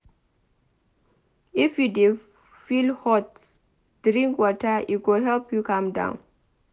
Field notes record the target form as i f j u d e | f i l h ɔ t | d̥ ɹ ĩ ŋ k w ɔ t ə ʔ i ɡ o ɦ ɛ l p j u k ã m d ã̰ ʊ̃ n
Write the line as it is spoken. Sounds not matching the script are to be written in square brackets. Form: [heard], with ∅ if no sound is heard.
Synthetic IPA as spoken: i f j u d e | f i l h ɔ t | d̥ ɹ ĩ ŋ k w ɔ t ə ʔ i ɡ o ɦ ɛ l p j u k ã m d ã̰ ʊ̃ n